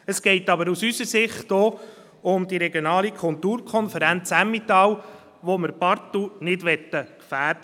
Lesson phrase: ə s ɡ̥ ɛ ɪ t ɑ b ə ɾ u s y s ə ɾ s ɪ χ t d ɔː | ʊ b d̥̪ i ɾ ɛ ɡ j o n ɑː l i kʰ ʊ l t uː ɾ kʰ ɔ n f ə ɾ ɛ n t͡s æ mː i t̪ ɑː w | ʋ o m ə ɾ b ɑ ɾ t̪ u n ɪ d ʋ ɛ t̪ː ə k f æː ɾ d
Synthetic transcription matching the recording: ə s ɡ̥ ɛ ɪ t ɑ b ə ɾ u s y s ə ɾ s ɪ χ t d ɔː | ʊ m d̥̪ i ɾ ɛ ɡ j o n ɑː l i kʰ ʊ l t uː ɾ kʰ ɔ n f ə ɾ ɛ n t͡s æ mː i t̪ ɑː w | ʋ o m ə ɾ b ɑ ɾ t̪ u n ɪ d ʋ ɛ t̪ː ə k f æː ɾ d